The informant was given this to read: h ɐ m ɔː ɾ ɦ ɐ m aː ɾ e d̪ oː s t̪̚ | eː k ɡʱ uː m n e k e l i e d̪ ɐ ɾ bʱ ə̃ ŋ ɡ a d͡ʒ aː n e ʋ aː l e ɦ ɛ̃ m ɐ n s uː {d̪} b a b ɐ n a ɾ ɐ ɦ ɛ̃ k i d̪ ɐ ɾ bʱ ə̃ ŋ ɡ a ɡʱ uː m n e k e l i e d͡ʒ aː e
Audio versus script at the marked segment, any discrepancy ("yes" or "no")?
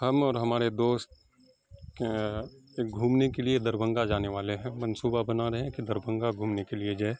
yes